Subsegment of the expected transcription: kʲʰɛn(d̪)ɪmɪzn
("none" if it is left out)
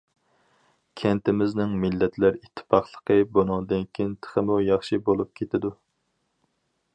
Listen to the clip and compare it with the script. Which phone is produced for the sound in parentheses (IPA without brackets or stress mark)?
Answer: t̪